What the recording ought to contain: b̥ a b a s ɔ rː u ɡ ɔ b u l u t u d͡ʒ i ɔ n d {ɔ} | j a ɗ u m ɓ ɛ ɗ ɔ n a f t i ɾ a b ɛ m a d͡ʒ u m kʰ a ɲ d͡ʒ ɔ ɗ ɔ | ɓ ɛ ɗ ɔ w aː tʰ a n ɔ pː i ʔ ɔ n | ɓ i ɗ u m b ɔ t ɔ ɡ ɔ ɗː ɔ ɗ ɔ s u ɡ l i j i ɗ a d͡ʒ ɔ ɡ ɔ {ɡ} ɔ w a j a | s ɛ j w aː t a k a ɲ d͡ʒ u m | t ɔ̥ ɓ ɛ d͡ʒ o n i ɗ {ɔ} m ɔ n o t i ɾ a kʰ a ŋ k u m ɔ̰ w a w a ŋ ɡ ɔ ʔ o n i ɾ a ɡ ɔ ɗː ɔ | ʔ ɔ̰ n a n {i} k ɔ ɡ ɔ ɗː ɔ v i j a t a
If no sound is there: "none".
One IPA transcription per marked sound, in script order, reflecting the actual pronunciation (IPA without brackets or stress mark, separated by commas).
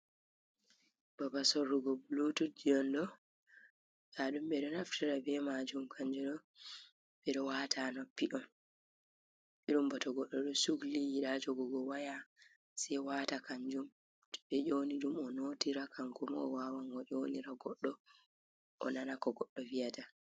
ɔ, ɡ, u, a